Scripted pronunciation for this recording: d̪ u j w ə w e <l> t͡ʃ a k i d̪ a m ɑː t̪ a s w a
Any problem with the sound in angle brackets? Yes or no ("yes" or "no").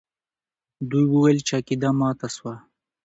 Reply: no